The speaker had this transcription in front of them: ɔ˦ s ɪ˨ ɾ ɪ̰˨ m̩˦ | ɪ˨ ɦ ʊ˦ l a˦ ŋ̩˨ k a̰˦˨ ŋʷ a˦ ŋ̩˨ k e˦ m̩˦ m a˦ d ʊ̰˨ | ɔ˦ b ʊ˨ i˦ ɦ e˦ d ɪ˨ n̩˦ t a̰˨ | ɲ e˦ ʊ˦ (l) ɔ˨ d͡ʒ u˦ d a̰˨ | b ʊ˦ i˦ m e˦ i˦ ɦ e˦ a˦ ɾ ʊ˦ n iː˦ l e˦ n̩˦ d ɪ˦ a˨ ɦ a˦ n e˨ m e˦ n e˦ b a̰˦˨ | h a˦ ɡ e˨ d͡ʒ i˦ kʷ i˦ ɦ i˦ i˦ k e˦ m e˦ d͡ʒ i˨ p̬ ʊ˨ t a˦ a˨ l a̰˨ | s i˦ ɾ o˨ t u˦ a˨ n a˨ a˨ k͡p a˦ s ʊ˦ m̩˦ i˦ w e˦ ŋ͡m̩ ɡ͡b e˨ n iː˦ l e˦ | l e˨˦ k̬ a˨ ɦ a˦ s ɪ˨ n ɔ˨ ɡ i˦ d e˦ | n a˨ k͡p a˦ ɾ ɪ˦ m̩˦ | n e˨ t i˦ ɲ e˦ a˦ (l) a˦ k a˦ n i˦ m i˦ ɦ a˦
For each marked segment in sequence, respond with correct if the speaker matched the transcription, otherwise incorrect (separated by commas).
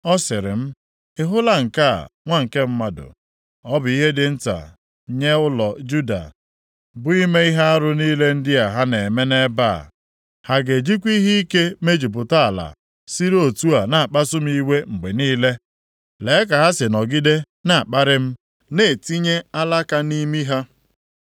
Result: correct, correct